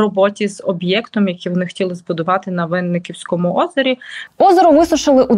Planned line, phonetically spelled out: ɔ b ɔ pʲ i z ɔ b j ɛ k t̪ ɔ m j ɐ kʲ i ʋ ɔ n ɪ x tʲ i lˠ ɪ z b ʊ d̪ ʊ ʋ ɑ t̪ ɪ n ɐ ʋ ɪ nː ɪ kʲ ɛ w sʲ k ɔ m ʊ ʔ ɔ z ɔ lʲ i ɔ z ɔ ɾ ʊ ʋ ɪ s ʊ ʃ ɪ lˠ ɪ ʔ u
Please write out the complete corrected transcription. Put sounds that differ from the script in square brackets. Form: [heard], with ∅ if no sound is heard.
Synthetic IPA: ɔ b ɔ [tʲ] i z ɔ b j ɛ k t̪ ɔ m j ɐ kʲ i ʋ ɔ n ɪ x tʲ i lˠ ɪ z b ʊ d̪ ʊ ʋ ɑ t̪ ɪ n ɐ ʋ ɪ nː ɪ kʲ [i] w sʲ k ɔ m ʊ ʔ ɔ z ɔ [ɾʲ] i ɔ z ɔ ɾ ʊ ʋ ɪ s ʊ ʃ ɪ lˠ ɪ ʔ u